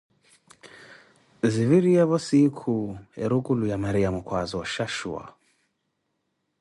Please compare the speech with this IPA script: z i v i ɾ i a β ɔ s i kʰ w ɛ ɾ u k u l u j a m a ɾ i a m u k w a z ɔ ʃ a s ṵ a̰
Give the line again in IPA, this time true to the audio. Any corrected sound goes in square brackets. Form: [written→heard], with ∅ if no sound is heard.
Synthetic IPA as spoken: z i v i ɾ i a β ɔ s i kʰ [w→u] ɛ ɾ u k u l u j a m a ɾ i a m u k w a z ɔ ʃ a [s→ʃ] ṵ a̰